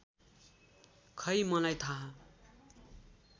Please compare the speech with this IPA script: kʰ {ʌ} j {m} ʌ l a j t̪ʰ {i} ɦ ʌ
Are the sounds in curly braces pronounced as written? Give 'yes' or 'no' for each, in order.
yes, yes, no

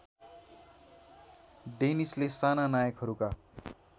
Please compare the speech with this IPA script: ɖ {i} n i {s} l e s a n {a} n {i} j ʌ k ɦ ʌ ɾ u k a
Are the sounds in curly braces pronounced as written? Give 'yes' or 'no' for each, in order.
no, yes, yes, no

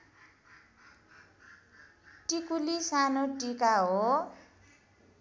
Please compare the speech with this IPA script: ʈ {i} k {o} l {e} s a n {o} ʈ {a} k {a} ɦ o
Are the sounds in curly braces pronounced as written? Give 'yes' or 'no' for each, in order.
yes, no, no, yes, no, yes

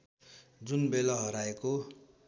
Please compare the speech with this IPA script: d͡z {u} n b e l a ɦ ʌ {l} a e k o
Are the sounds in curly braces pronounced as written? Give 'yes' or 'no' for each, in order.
yes, no

